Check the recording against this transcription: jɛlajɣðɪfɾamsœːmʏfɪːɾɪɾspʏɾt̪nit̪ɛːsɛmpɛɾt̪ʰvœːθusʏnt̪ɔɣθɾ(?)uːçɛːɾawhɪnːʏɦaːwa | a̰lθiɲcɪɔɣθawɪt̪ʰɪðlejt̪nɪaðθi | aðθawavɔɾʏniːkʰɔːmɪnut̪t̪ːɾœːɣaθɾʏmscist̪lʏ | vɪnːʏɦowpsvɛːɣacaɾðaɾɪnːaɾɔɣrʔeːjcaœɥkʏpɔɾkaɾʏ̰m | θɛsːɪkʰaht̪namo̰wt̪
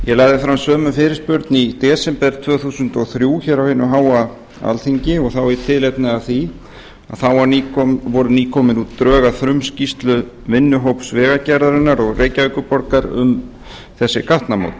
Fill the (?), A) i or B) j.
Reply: B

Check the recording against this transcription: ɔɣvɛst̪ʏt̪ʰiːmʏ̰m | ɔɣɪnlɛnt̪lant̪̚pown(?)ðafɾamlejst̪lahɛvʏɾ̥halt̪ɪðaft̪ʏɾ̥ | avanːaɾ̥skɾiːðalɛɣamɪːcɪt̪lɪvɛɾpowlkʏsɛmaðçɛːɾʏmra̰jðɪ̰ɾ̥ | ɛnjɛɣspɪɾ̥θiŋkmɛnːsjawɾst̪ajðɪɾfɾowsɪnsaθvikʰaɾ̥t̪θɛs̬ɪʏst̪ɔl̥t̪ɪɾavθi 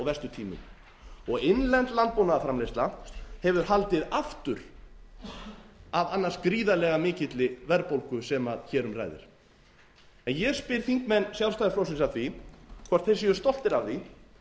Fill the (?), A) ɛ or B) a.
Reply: B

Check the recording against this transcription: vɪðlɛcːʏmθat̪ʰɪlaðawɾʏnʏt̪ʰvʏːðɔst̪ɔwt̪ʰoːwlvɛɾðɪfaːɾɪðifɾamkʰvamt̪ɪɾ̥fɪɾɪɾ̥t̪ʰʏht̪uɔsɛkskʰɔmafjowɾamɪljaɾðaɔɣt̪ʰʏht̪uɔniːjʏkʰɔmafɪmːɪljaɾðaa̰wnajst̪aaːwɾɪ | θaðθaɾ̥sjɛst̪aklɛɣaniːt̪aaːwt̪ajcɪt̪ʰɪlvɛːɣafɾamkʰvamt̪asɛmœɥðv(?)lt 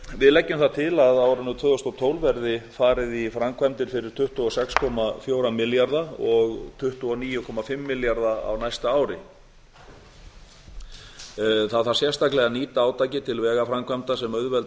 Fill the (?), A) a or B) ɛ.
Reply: B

